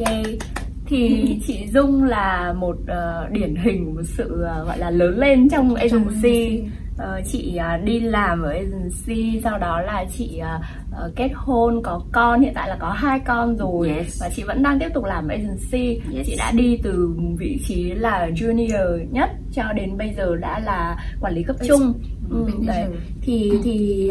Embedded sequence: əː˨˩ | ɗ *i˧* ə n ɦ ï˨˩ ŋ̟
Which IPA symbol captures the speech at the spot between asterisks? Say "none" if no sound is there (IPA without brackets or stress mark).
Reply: i˧˩